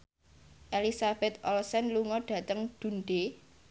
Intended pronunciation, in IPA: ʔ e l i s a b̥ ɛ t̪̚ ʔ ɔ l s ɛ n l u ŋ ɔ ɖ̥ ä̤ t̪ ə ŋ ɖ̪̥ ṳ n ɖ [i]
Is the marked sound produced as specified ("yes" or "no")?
no